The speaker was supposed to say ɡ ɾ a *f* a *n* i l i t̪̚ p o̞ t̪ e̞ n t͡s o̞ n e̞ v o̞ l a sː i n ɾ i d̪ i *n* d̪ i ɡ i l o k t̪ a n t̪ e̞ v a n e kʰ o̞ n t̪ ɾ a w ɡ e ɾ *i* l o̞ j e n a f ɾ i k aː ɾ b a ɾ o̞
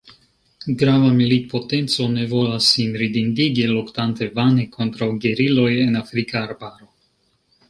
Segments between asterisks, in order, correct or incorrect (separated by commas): incorrect, incorrect, correct, correct